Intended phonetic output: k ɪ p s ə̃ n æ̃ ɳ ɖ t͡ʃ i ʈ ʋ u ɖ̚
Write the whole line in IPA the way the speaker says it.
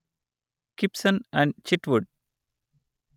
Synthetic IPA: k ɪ p s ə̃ n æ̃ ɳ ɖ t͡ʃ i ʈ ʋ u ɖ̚